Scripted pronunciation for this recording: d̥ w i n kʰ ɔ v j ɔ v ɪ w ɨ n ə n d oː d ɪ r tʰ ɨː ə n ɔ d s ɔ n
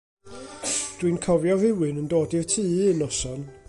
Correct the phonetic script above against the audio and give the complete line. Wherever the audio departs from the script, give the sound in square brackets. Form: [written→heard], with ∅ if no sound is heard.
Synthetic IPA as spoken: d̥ w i n kʰ ɔ v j ɔ v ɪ w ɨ n ə n d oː d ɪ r tʰ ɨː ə n ɔ [d→∅] s ɔ n